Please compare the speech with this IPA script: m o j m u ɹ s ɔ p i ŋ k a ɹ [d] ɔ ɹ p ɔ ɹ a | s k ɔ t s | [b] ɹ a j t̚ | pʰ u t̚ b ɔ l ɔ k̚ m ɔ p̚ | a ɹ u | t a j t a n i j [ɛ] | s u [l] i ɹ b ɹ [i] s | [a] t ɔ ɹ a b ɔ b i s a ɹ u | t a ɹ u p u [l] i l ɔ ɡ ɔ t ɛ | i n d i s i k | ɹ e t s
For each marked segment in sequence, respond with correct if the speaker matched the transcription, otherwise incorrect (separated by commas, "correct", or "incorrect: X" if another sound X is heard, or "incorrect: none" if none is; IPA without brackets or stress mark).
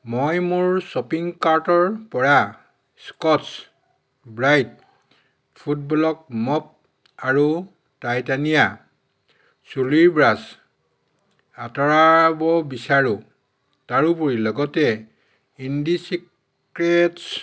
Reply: incorrect: t, correct, incorrect: a, correct, incorrect: a, correct, incorrect: ɹ